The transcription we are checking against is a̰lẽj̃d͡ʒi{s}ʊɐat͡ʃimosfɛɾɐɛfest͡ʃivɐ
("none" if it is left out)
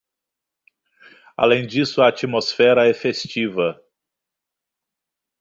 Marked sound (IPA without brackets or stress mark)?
s